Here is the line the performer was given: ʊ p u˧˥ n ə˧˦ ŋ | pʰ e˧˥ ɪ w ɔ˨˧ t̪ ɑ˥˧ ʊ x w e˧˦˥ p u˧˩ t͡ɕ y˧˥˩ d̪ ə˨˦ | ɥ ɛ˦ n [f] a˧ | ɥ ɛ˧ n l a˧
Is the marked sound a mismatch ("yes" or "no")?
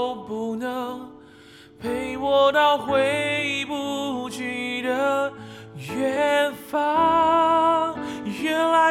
no